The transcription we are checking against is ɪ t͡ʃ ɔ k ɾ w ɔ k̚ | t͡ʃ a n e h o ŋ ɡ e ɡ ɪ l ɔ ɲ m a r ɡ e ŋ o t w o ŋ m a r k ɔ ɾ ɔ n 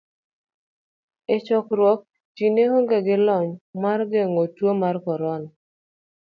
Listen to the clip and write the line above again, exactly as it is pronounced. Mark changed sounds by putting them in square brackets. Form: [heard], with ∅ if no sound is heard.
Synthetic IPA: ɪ t͡ʃ ɔ k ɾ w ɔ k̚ | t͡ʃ [i] n e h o ŋ ɡ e ɡ ɪ l ɔ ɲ m a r ɡ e ŋ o t w o [∅] m a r k ɔ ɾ ɔ n